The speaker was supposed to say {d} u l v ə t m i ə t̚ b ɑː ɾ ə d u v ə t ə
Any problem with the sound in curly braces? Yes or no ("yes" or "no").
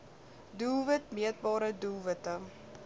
no